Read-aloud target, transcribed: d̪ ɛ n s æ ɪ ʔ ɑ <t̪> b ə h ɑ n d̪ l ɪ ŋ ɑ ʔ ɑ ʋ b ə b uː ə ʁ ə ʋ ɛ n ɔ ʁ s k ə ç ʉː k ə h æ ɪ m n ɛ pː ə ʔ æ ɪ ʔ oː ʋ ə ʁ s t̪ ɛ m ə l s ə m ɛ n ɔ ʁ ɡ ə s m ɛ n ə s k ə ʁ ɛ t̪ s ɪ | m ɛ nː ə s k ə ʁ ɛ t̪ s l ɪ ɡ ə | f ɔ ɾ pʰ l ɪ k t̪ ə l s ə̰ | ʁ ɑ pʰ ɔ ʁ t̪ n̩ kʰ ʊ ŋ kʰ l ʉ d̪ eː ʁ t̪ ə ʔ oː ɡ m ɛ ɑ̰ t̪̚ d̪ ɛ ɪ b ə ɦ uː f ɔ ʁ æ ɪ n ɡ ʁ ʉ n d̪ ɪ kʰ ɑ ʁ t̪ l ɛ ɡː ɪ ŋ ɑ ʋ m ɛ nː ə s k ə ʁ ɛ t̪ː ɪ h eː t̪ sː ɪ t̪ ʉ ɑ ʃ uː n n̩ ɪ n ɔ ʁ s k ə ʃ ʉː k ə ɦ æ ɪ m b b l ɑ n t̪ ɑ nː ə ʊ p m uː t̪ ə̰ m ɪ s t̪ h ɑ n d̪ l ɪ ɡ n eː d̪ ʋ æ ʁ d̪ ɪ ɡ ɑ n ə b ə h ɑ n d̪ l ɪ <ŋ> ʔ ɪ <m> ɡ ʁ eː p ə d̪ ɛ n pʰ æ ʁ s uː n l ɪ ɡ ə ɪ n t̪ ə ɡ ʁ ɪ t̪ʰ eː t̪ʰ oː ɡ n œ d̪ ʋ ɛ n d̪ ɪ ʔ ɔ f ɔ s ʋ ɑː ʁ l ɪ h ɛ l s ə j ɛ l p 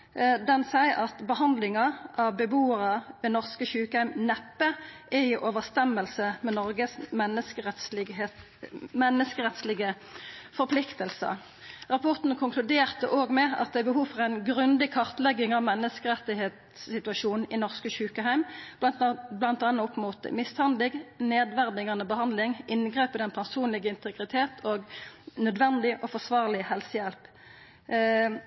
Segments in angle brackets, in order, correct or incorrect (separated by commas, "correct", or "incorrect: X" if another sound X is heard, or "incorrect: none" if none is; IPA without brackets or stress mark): correct, correct, incorrect: n